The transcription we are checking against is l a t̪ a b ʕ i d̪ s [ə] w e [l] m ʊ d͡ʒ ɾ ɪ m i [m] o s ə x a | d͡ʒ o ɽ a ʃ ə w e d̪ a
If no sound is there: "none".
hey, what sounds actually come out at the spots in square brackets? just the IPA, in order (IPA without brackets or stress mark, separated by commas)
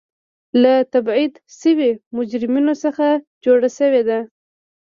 ə, none, n